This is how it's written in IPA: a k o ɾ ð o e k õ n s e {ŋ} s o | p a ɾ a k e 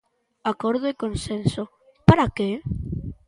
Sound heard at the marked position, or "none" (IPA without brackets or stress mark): n